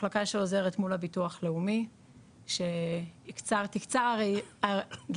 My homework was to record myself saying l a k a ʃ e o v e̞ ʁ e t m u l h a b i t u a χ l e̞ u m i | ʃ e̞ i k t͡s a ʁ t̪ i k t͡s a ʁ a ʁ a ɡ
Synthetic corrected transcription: l a k a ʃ e o z e̞ ʁ e t m u l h a b i t u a χ l e̞ u m i | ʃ e̞ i k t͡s a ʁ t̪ i k t͡s a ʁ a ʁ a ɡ